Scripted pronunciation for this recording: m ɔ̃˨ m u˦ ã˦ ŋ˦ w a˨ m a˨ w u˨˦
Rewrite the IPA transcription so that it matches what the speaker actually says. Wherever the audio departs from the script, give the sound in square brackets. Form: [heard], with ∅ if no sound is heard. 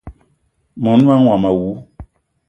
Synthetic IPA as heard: m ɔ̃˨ [n] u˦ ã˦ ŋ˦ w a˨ m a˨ w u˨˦